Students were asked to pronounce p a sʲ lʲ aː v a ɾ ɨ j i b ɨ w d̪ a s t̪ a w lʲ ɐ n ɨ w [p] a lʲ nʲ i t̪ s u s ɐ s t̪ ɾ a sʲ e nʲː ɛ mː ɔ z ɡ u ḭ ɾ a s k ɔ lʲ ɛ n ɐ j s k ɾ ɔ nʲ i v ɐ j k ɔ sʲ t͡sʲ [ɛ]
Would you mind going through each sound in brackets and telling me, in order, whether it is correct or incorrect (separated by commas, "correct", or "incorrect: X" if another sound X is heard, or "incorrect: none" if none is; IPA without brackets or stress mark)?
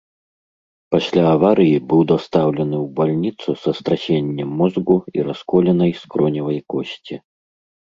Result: incorrect: b, incorrect: i